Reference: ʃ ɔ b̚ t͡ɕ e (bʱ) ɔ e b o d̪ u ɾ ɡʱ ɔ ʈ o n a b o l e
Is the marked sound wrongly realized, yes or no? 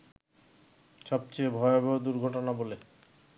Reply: no